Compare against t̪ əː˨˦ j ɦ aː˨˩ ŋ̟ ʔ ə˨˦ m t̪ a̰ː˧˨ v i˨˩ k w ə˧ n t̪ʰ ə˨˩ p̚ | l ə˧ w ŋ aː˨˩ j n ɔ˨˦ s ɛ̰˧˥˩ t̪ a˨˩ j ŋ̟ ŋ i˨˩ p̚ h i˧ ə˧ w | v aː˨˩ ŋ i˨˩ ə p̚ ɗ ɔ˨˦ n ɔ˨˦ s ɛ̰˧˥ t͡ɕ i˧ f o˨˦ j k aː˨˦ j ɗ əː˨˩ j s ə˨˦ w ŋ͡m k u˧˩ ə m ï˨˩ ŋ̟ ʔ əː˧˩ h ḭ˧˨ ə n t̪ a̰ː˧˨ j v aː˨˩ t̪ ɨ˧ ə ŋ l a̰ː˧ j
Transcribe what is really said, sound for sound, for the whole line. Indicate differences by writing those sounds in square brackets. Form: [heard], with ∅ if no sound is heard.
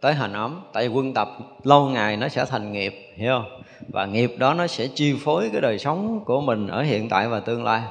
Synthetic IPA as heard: t̪ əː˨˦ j ɦ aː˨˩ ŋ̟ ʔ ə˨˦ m t̪ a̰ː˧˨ v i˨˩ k w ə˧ n [t̪] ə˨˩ p̚ | l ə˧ w ŋ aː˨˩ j n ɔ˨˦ s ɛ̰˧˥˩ [t̪ʰ] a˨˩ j ŋ̟ ŋ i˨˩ p̚ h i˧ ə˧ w | v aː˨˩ ŋ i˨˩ ə p̚ ɗ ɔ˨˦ n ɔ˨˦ s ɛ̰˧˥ t͡ɕ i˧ f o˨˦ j k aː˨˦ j ɗ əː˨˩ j s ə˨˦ w ŋ͡m k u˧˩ ə m ï˨˩ ŋ̟ ʔ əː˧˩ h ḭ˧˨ ə n t̪ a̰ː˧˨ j v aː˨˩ t̪ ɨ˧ ə ŋ l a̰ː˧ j